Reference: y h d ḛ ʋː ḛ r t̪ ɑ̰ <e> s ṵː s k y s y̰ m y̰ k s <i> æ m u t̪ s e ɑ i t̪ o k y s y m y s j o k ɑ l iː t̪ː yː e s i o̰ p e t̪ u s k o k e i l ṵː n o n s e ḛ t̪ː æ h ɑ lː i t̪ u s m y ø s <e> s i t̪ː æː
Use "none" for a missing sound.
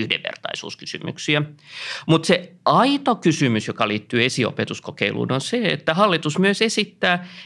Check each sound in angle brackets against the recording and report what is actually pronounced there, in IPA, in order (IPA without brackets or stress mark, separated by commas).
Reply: i, i, e